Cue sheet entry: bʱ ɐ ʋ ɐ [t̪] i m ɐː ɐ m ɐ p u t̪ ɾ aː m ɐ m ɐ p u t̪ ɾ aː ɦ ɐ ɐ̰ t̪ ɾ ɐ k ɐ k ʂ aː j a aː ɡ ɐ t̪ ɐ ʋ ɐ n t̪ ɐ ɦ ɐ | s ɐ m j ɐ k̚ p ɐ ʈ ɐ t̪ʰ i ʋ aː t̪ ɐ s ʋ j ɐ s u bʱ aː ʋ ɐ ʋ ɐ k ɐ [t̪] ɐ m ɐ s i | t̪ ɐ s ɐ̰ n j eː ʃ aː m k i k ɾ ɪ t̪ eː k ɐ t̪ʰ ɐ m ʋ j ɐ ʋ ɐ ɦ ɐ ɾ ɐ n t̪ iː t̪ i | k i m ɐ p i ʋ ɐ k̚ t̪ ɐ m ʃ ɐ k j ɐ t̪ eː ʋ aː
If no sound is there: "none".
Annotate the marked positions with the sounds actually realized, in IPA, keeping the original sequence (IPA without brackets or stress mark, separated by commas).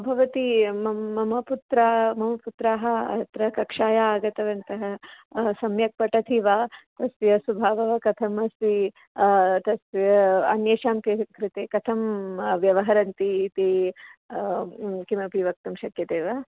t̪, t̪ʰ